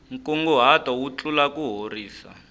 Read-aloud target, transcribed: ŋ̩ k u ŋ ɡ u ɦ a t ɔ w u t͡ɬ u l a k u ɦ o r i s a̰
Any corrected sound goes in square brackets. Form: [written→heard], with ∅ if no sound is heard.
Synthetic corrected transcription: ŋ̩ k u ŋ ɡ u ɦ a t ɔ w u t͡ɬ u l a k u ɦ o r [i→iː] s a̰